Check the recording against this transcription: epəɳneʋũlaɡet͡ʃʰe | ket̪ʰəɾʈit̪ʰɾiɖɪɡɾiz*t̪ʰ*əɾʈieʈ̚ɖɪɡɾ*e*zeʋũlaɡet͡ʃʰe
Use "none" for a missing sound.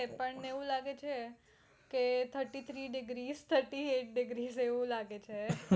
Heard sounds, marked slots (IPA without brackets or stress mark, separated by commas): t̪ʰ, i